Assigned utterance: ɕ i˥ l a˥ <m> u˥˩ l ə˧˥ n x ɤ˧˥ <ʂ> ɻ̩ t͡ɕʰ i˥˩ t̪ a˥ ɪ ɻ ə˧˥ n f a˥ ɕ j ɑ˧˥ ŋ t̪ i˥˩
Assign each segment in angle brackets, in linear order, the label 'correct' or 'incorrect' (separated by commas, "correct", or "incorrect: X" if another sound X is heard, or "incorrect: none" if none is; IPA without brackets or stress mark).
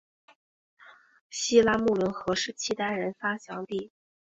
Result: correct, correct